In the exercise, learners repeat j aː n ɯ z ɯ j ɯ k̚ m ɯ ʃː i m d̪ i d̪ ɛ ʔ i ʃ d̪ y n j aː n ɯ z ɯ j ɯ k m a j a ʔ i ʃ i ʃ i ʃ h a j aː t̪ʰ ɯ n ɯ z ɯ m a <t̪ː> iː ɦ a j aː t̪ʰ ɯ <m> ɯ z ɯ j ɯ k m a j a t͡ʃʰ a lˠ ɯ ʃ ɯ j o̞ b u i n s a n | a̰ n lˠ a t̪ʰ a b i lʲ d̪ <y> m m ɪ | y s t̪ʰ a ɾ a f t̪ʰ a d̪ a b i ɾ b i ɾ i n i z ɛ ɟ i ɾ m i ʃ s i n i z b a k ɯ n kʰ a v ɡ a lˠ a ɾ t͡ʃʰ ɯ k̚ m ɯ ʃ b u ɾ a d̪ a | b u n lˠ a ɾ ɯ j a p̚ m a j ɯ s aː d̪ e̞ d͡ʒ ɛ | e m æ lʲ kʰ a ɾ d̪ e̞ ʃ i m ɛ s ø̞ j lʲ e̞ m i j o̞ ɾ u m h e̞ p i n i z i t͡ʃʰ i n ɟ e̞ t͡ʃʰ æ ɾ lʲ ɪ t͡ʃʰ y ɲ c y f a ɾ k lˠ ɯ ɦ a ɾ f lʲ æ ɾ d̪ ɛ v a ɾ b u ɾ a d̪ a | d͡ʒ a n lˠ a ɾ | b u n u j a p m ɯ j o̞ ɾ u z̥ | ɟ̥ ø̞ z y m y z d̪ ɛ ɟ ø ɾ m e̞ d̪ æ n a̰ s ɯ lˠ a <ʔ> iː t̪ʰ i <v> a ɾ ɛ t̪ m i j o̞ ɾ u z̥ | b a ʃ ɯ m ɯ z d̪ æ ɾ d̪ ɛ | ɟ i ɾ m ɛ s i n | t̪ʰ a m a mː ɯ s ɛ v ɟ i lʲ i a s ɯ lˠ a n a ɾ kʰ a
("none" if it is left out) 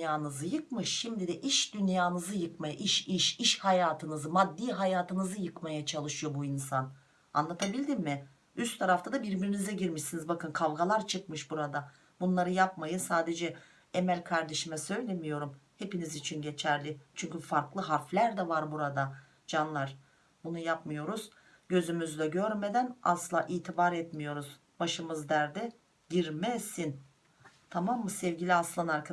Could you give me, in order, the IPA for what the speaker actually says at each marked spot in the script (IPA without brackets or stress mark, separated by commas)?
d̪ː, n, i, ʔ, b